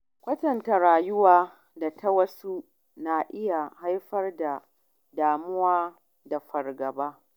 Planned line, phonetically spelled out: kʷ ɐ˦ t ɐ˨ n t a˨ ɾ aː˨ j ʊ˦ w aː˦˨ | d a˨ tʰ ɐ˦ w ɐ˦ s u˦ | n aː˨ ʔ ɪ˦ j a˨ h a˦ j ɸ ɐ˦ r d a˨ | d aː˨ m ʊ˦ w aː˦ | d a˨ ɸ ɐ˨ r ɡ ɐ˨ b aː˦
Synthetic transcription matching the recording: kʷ ɐ˦ t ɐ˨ n t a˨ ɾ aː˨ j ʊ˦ w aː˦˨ | d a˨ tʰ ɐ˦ w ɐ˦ s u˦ | n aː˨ ʔ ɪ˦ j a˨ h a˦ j ɸ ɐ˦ r d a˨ | d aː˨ m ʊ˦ w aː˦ | d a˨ ɸ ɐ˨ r ɡ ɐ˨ b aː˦